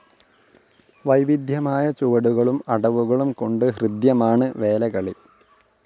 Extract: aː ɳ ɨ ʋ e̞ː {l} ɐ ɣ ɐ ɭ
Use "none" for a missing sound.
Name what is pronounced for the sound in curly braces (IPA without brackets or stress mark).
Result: l